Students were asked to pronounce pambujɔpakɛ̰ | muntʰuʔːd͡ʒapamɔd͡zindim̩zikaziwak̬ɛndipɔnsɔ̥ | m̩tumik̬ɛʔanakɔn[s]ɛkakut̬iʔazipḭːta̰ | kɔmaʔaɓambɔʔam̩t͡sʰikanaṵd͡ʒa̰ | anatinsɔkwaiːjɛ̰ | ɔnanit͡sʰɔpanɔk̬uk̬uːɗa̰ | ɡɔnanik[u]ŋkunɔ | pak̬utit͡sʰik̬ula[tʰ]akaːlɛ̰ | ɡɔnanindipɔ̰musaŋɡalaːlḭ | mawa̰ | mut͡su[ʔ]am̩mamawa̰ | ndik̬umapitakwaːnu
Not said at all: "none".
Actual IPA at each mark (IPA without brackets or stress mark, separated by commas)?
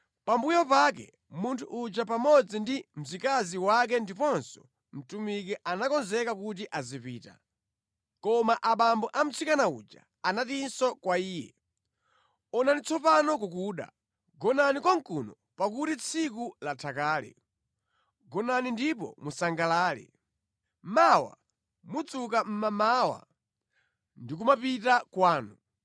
z, ɔ, tʰ, k